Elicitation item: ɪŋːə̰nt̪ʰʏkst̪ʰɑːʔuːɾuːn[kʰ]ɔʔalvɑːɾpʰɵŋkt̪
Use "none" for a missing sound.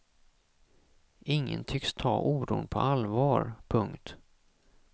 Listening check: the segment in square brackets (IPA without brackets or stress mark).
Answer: pʰ